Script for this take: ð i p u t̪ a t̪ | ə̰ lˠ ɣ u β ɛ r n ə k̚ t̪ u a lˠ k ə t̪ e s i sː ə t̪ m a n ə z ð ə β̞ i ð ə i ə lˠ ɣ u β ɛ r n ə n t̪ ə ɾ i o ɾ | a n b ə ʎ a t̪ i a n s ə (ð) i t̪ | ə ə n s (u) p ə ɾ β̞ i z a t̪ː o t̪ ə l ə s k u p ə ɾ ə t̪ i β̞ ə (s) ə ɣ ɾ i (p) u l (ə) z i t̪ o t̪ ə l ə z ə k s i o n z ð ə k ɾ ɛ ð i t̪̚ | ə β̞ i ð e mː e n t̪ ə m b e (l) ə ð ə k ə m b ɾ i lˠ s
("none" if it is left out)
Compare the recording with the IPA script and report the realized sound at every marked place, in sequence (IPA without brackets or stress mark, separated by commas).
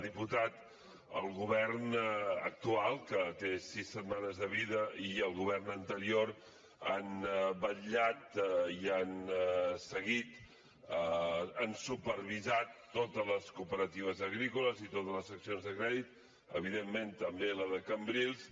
ɣ, u, z, k, ə, l